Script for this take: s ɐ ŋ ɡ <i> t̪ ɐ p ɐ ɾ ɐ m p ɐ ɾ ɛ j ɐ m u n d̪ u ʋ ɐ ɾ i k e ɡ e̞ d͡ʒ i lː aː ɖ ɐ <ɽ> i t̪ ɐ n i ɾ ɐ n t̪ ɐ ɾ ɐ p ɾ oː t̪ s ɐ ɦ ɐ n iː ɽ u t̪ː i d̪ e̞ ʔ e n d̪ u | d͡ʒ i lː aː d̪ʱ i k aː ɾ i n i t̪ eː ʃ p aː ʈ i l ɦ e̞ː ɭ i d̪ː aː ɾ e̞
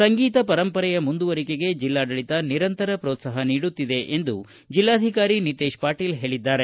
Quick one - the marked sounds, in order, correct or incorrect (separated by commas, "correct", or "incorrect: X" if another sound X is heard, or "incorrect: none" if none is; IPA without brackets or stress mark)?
incorrect: iː, incorrect: ɭ